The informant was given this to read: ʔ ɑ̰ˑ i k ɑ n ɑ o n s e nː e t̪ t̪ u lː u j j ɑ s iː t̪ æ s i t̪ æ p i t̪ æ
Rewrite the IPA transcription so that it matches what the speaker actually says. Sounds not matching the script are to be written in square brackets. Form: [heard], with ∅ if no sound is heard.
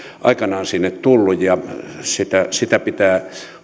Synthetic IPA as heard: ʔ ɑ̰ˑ i k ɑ n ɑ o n s [i] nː e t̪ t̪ u lː u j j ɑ s [i] t̪ æ s i t̪ æ p i t̪ [æː]